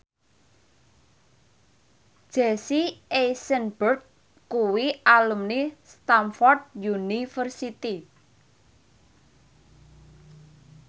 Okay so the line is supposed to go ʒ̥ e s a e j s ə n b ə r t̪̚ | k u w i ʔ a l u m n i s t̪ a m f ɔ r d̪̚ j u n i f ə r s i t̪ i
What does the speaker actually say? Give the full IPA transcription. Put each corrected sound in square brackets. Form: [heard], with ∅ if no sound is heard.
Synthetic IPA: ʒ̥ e s [i] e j s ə n b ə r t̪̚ | k u w i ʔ a l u m n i s t̪ a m f ɔ r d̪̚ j u n i f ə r s i t̪ i